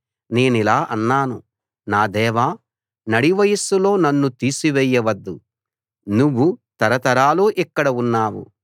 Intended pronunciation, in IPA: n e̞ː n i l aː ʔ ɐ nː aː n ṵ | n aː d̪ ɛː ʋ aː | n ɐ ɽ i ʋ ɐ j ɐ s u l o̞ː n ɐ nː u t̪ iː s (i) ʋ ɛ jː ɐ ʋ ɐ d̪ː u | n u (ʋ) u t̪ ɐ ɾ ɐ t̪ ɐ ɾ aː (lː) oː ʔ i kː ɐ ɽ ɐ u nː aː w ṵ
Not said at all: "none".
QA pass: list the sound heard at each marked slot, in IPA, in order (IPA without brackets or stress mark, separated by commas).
i, ʋː, l